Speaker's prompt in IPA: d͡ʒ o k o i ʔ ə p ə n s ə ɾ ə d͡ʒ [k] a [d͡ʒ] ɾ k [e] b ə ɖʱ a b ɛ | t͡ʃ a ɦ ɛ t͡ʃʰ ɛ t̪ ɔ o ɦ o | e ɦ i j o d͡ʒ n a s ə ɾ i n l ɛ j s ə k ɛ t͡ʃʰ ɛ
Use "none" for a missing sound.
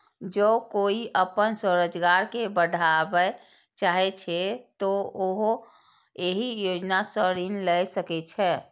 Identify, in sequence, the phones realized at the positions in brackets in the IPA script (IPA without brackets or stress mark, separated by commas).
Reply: ɡ, none, e